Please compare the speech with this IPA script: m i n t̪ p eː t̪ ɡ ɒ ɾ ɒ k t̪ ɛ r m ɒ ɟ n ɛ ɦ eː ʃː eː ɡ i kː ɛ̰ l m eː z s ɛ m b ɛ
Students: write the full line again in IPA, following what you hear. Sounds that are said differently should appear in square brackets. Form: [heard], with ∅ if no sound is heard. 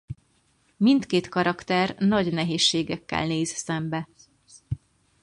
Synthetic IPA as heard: m i n t̪ [k] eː t̪ [k] ɒ ɾ ɒ k t̪ ɛ r [n] ɒ ɟ n ɛ ɦ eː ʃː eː ɡ [ɛ] kː ɛ̰ l [n] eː z s ɛ m b ɛ